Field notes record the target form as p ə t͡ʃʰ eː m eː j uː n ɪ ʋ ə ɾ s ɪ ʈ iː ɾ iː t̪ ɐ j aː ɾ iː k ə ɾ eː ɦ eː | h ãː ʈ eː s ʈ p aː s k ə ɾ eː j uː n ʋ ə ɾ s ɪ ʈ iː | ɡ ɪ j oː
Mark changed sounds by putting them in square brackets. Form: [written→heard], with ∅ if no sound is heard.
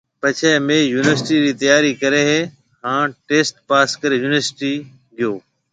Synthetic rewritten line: p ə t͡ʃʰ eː m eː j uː n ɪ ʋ ə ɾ s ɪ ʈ iː ɾ iː t̪ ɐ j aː ɾ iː k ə ɾ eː ɦ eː | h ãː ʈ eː s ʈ p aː s k ə ɾ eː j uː n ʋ ə ɾ s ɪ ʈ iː | ɡ ɪ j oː